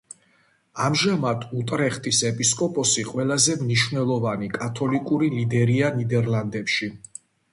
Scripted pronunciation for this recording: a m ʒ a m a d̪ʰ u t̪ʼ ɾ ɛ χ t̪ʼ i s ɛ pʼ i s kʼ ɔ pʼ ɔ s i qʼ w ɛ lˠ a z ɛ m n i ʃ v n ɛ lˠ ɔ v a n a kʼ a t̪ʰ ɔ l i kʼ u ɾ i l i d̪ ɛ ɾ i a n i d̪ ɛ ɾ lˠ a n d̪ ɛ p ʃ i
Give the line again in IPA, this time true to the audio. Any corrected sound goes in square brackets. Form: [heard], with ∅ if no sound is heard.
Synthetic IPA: a m ʒ a m a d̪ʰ u t̪ʼ ɾ ɛ χ t̪ʼ i s ɛ pʼ i s kʼ ɔ pʼ ɔ s i qʼ w ɛ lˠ a z ɛ m n i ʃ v n ɛ lˠ ɔ v a n [i] kʼ a t̪ʰ ɔ l i kʼ u ɾ i l i d̪ ɛ ɾ i a n i d̪ ɛ ɾ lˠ a n d̪ ɛ p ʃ i